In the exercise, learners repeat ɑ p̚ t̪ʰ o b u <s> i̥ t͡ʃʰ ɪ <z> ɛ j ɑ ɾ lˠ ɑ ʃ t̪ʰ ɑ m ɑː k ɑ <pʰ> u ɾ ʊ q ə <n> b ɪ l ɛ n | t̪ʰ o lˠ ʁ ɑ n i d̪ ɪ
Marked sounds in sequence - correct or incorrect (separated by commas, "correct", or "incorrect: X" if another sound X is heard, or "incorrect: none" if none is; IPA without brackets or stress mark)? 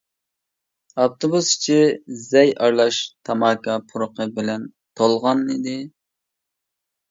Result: correct, correct, correct, incorrect: none